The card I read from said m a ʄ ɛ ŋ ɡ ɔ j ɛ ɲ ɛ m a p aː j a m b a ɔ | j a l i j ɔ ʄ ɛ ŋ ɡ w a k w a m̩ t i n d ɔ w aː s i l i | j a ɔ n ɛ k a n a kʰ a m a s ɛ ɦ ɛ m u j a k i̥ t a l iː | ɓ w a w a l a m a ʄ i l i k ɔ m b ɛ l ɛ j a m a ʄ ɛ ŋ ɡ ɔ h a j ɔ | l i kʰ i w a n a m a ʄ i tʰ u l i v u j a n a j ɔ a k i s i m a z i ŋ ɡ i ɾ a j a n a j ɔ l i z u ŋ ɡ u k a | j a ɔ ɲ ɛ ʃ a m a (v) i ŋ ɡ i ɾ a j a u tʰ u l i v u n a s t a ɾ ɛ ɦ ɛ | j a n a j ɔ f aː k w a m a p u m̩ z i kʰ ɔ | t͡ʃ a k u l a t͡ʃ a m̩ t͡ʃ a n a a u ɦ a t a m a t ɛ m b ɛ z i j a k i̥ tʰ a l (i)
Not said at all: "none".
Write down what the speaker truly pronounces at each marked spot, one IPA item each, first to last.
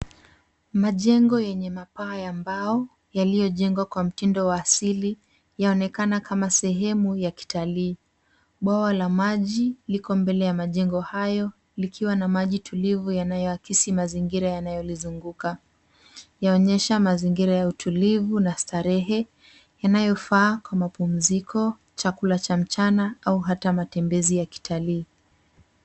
z, iː

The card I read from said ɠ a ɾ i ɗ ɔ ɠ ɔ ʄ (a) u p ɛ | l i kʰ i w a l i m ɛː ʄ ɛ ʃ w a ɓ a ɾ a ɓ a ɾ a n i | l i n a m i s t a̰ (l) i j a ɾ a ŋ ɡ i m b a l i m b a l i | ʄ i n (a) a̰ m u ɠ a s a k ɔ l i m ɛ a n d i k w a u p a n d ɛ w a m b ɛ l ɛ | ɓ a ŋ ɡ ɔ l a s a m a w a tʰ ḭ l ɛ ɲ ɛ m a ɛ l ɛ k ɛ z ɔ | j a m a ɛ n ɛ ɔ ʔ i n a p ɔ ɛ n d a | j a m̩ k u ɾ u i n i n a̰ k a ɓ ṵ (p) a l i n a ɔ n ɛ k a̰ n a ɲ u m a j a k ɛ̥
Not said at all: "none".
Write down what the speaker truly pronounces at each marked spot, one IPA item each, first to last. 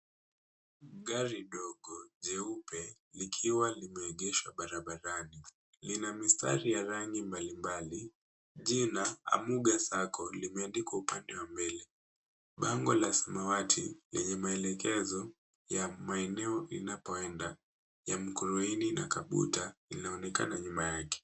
ɛ, ɾ, a, t

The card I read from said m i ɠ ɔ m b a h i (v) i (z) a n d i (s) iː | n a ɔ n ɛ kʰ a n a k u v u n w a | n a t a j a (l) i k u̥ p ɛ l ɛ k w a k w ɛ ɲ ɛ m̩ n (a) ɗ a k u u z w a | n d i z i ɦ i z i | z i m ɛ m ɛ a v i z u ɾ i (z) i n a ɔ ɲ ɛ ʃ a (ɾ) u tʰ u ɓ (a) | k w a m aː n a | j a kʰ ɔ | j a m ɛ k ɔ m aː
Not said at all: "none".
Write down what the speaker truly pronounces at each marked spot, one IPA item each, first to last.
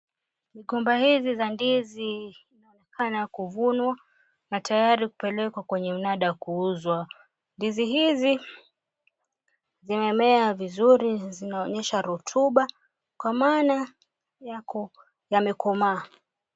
z, z, z, ɾ, a, z, ɾ, a

